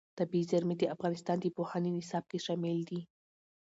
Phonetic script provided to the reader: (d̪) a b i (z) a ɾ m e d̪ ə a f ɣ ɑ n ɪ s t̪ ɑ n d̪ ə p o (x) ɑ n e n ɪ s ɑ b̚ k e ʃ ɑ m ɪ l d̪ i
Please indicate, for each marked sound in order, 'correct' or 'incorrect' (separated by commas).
incorrect, correct, incorrect